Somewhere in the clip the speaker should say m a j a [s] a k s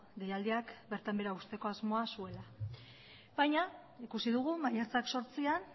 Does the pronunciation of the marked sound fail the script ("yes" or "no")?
yes